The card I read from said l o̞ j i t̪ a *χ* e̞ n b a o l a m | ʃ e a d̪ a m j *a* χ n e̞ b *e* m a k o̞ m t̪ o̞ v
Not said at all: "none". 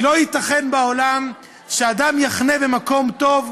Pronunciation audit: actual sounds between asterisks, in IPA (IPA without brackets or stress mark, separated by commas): χ, a, e